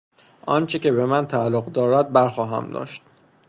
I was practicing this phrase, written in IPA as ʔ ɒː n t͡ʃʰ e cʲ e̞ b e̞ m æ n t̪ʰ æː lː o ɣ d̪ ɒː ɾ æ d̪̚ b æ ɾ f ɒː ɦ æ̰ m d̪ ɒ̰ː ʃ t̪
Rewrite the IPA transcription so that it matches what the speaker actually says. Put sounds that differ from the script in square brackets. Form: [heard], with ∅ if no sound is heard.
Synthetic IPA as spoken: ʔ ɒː n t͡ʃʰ e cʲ e̞ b e̞ m æ n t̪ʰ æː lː o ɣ d̪ ɒː ɾ æ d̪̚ b æ ɾ [x] ɒː ɦ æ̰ m d̪ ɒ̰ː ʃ t̪